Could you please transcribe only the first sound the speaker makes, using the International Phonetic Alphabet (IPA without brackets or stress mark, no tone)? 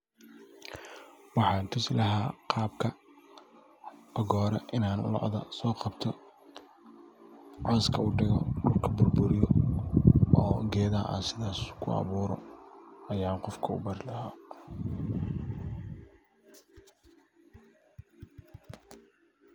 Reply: w